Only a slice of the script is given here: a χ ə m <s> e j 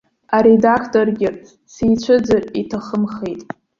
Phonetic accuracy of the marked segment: incorrect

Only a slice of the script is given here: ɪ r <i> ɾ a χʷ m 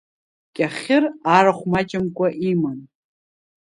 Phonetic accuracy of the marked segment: incorrect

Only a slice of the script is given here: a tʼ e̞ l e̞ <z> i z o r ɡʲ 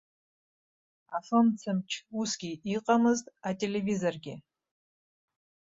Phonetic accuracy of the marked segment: incorrect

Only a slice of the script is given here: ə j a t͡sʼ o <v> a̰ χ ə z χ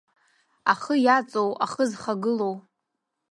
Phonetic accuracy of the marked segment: incorrect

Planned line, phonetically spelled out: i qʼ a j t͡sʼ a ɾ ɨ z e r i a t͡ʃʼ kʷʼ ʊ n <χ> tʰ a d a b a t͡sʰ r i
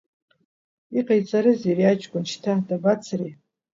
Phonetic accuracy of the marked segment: incorrect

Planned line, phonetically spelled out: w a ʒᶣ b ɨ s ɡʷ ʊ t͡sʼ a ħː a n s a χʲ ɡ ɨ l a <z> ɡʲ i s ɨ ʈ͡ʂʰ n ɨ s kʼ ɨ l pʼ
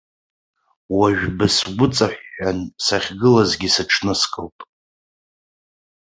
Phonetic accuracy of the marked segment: correct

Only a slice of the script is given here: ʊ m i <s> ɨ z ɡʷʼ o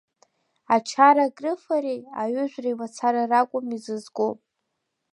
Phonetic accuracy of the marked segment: incorrect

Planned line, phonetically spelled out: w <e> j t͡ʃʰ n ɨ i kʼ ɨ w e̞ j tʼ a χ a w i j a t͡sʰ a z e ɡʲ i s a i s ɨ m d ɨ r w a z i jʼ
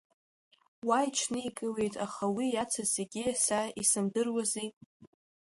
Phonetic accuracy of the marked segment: incorrect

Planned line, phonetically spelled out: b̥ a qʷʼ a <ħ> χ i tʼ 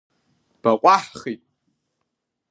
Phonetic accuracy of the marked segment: correct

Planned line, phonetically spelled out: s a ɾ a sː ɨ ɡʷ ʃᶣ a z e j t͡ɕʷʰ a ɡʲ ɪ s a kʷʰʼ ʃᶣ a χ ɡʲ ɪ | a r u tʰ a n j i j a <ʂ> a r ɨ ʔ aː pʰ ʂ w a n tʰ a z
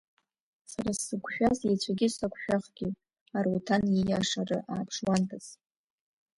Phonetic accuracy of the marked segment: correct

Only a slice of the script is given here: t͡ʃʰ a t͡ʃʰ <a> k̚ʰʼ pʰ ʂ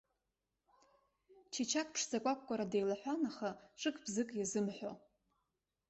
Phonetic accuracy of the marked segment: correct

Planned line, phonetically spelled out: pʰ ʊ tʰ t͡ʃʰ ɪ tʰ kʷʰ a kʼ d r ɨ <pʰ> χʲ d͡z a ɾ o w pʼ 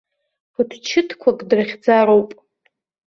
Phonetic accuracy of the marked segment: incorrect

